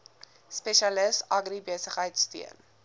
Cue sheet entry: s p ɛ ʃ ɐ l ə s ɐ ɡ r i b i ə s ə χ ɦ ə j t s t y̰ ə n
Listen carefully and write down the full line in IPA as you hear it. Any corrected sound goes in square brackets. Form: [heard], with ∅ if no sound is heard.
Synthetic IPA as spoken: s p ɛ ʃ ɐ l ə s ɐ ɡ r i b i ə s ə χ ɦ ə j t s t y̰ ə n